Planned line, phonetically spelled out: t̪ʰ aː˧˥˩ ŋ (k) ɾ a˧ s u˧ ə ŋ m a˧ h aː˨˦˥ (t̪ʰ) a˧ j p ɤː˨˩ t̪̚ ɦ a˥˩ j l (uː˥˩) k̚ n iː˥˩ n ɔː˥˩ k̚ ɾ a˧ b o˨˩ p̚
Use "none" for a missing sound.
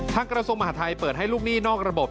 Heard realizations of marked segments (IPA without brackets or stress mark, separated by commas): k, t̪ʰ, uː˥˩